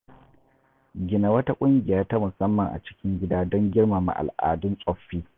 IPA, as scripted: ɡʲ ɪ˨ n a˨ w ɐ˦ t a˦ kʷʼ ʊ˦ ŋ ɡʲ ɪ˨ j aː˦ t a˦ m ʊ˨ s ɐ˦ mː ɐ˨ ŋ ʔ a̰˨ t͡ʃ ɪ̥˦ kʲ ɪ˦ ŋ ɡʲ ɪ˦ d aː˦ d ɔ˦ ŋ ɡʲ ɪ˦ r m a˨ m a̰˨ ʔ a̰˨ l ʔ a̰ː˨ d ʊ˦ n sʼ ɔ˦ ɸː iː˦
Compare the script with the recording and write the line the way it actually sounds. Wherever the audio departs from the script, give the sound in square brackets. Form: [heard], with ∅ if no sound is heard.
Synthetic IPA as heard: ɡʲ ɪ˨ n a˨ w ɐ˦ t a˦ kʷʼ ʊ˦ ŋ ɡʲ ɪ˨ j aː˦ t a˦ m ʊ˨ s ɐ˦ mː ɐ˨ ŋ ʔ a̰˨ t͡ʃ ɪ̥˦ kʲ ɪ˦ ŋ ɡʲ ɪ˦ d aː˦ d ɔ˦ ŋ ɡʲ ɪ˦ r m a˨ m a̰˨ ʔ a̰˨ l ʔ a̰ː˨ d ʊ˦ n sʼ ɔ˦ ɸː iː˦